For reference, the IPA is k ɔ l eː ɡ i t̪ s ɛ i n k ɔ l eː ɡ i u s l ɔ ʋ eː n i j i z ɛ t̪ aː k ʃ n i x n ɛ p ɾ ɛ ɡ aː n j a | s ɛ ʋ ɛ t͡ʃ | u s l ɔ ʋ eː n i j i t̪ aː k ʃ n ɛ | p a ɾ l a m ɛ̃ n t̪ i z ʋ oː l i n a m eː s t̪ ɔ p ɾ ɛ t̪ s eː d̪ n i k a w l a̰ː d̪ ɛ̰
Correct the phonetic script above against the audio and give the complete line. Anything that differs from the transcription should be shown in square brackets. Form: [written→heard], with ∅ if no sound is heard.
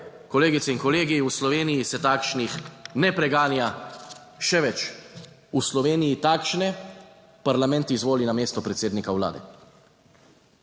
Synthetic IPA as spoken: k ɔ l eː ɡ i t̪ s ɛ i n k ɔ l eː ɡ i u s l ɔ ʋ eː n i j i [z→s] ɛ t̪ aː k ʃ n i x n ɛ p ɾ ɛ ɡ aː n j a | [s→ʃ] ɛ ʋ ɛ t͡ʃ | u s l ɔ ʋ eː n i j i t̪ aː k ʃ n ɛ | p a ɾ l a m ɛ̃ n t̪ i z ʋ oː l i n a m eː s t̪ ɔ p ɾ ɛ t̪ s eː d̪ n i k a w l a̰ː d̪ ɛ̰